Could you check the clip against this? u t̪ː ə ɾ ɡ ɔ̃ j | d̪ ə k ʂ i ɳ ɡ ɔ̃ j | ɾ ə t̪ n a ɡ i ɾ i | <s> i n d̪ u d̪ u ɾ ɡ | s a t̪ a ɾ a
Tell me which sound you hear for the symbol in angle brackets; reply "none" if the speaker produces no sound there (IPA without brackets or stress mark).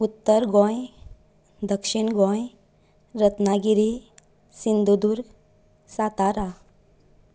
s